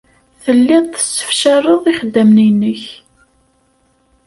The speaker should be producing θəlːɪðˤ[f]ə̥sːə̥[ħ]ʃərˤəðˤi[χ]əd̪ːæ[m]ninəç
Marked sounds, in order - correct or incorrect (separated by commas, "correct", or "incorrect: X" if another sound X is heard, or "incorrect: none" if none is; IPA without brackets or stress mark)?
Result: incorrect: θ, incorrect: f, correct, correct